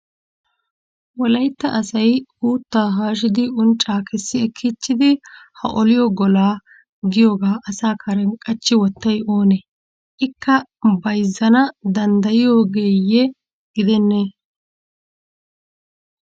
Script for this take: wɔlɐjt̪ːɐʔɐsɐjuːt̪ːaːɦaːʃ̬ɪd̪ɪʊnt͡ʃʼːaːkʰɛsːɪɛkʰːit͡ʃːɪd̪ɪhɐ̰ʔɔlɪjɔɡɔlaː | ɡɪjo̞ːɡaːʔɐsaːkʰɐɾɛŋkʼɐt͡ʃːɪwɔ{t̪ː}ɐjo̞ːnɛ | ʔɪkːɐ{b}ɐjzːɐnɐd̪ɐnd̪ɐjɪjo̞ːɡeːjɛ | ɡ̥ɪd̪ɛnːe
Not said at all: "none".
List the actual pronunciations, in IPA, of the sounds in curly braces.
t̪ː, b

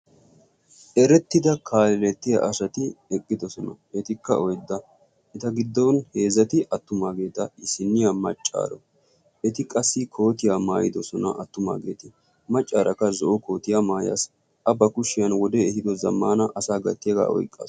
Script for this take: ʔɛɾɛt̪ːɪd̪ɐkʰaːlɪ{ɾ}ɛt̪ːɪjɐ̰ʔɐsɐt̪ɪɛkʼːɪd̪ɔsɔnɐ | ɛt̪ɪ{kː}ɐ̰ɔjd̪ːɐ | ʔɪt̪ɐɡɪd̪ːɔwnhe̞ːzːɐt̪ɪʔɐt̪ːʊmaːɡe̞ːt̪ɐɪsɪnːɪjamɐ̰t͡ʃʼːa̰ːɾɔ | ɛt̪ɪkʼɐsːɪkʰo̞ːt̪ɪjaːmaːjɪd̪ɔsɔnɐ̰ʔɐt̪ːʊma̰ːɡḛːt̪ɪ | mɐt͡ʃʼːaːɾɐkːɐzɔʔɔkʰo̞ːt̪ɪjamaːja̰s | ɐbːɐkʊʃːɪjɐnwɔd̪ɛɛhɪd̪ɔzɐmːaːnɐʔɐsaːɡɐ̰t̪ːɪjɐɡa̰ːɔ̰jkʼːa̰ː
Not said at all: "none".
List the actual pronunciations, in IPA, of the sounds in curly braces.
l, kː

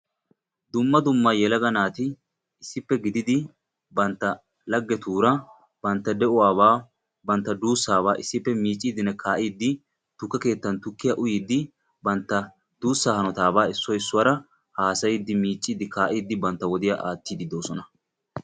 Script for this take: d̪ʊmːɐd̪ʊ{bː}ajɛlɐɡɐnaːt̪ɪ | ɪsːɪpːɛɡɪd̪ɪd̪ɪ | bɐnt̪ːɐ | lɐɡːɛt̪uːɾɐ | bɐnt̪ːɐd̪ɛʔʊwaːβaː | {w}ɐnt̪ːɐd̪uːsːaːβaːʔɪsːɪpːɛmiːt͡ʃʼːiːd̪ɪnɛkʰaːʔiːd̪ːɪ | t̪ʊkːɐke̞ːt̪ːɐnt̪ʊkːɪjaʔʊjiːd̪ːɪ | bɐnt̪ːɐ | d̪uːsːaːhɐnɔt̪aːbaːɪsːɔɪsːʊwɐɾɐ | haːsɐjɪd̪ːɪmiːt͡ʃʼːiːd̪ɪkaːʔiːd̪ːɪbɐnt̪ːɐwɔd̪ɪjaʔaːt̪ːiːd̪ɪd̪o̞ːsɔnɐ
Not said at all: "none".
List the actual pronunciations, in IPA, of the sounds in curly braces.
mː, b

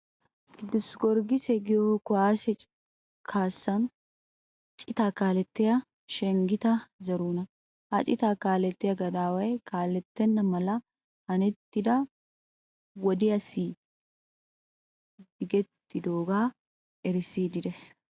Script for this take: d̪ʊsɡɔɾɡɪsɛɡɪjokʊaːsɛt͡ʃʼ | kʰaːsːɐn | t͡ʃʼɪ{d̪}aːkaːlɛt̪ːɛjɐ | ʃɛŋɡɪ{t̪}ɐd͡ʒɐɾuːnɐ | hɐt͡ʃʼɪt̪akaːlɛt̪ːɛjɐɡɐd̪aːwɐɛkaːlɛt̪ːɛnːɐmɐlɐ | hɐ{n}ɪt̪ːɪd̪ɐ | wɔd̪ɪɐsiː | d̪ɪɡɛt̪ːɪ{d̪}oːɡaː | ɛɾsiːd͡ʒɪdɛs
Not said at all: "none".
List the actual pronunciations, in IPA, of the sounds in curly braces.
t̪, t̪, n, d̪

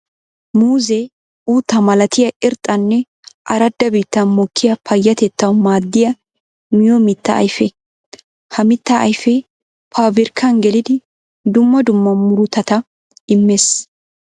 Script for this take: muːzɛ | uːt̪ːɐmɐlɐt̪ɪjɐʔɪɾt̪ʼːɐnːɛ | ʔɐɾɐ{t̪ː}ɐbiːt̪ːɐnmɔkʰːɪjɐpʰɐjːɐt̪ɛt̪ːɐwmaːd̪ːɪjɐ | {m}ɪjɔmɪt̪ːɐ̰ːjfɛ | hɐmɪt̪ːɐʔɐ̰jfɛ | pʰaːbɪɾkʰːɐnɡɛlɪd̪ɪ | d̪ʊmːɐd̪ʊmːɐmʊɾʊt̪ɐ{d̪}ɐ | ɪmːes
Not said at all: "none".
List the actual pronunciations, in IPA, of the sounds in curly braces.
d̪ː, m, t̪

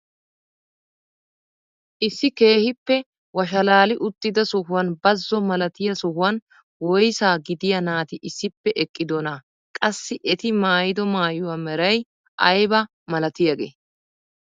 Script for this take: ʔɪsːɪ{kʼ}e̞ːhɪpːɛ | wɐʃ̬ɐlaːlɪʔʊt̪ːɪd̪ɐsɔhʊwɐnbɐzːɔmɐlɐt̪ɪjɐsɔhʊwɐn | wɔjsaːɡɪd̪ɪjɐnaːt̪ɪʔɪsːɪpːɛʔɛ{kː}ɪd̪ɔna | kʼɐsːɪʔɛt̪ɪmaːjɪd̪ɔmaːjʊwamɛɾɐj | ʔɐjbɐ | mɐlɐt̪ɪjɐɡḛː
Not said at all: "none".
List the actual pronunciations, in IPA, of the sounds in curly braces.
k, kʼː

